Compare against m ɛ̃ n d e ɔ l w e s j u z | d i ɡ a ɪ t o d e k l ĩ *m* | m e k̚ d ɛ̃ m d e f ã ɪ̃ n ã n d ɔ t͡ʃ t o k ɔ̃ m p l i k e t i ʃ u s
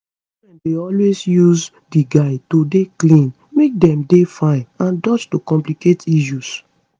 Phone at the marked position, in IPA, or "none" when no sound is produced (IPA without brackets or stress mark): n